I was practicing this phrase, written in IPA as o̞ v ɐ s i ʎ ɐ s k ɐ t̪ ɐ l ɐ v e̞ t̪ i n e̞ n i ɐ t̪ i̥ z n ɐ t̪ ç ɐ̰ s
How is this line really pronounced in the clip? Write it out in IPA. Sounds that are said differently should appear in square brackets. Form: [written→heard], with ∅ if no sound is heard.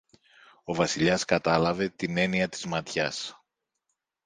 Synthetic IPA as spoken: o̞ v ɐ s i ʎ ɐ s k ɐ t̪ ɐ l ɐ v e̞ t̪ i n e̞ n i ɐ t̪ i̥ z [n→m] ɐ t̪ ç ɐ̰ s